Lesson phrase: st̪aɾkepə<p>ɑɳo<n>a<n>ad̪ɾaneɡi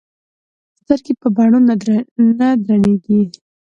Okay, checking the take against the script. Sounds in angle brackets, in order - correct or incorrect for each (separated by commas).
incorrect, correct, correct